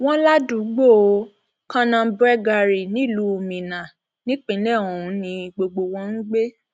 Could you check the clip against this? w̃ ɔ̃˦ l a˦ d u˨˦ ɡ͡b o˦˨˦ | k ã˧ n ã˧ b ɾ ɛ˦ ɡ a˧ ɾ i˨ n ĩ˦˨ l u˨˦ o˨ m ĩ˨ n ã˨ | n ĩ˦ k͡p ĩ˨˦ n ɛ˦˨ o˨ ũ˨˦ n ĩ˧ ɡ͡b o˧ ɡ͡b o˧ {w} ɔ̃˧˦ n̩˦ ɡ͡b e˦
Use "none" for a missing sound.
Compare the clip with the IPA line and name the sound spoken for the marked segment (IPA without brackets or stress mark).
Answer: w